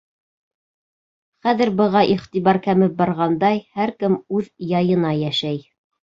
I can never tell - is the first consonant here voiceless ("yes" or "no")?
yes